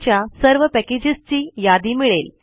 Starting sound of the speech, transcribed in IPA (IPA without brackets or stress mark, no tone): t͡ɕ